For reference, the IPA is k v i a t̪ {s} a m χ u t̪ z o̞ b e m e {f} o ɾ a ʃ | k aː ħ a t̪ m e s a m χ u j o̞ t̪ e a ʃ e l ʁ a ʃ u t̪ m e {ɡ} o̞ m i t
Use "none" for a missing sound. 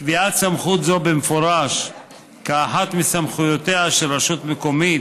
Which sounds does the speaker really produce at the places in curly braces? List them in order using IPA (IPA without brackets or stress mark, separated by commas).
s, f, k